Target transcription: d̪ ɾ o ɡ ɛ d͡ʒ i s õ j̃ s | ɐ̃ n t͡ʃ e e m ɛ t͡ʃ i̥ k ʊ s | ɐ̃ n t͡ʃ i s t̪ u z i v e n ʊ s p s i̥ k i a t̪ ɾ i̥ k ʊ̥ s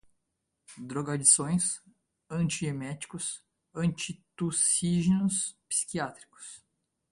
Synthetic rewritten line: d̪ ɾ o ɡ a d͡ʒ i s õ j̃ s | ɐ̃ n t͡ʃ i e m ɛ t͡ʃ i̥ k ʊ s | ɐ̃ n t͡ʃ i t̪ u s i ʒ e n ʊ s p s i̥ k i a t̪ ɾ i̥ k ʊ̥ s